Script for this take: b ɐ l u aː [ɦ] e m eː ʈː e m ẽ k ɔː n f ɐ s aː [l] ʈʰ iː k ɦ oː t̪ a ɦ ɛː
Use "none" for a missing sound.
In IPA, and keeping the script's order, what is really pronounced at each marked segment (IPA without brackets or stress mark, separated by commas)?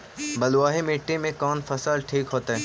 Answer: ɦ, l